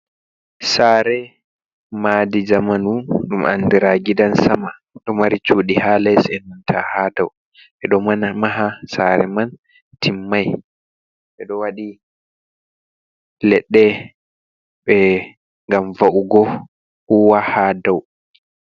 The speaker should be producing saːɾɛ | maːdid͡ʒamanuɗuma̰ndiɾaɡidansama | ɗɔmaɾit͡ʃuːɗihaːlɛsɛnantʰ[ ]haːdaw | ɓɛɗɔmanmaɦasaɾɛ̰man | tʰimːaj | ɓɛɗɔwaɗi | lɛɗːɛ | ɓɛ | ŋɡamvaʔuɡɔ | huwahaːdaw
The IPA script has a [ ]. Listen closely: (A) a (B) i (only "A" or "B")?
A